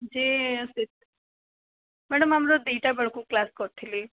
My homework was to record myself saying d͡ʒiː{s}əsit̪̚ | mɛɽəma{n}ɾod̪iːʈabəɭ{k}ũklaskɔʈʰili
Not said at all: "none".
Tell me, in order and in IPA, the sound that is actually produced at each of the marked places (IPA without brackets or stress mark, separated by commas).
none, m, k